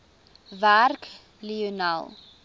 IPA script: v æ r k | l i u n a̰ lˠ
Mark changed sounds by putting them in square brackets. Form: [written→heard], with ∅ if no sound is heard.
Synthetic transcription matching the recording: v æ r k | l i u n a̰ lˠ